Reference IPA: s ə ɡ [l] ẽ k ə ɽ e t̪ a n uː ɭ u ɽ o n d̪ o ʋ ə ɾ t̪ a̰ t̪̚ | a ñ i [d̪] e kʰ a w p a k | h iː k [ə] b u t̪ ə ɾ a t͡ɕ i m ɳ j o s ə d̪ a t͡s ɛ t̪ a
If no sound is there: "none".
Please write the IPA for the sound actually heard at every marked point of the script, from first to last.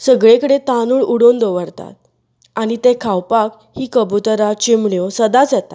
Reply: ɭ, t̪, ə

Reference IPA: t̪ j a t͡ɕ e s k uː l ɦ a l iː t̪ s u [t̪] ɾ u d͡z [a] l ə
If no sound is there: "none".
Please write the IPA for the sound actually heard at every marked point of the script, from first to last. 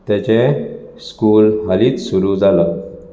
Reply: none, a

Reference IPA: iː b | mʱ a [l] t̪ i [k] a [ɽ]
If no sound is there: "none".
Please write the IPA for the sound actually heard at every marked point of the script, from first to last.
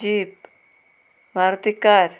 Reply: ɾ, k, ɾ

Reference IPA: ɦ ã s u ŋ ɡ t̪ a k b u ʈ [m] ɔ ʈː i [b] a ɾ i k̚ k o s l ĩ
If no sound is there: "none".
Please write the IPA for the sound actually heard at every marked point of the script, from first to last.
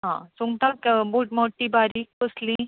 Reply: m, b

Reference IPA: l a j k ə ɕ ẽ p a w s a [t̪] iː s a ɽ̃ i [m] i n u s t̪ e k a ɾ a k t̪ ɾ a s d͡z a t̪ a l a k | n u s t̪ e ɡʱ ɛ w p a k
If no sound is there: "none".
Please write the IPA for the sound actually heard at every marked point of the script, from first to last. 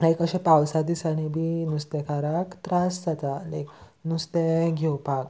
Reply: d̪, b

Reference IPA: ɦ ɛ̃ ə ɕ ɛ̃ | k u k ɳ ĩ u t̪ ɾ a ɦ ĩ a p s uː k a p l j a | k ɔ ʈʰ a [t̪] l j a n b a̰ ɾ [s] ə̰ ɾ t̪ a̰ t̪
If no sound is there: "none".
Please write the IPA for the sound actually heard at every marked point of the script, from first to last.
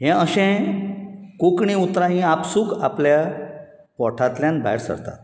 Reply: t̪, s

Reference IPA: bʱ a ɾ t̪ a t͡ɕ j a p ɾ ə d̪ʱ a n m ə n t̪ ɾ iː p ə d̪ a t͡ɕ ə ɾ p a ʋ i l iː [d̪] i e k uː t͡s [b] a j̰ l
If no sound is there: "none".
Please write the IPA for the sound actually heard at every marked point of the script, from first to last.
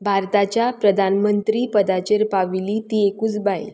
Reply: t̪, b

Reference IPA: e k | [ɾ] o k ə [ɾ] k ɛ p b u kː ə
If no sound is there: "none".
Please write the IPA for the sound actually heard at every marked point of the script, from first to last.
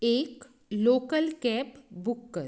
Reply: l, l

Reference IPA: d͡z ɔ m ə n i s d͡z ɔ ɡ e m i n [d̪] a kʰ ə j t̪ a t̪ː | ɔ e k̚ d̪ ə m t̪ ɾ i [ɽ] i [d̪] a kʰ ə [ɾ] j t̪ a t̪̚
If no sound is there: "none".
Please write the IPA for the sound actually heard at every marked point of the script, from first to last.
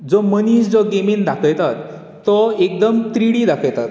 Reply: d̪, ɽ, d̪, none

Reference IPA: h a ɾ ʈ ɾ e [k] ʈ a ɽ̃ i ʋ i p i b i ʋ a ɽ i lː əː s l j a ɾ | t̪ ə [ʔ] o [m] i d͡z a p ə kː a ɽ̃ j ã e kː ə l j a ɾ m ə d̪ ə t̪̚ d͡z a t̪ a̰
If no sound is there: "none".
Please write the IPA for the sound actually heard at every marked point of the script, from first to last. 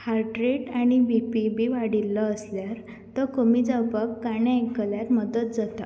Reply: none, k, m

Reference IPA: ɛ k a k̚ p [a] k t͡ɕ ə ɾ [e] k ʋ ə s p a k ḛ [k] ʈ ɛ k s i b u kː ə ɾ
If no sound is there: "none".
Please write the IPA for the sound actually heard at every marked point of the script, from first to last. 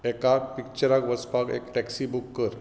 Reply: i, a, k

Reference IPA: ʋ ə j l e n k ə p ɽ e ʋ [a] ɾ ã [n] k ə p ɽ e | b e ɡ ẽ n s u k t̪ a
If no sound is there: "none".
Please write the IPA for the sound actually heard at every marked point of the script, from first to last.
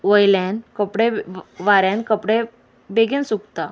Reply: a, n

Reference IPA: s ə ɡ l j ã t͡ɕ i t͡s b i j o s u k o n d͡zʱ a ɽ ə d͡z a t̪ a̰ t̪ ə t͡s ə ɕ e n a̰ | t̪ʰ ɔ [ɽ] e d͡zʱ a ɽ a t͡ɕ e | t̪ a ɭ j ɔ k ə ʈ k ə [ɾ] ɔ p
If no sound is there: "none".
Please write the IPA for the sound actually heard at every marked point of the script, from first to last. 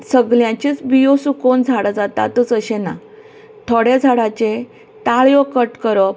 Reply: ɽ, ɾ

